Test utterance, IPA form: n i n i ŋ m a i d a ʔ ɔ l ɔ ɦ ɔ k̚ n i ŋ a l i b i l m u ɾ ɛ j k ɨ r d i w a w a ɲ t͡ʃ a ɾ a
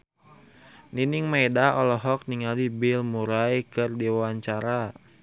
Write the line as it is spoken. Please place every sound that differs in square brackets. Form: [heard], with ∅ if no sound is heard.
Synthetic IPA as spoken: n i n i ŋ m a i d a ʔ ɔ l ɔ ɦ ɔ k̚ n i ŋ a l i b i l m u ɾ [a] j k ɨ r d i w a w a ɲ t͡ʃ a ɾ a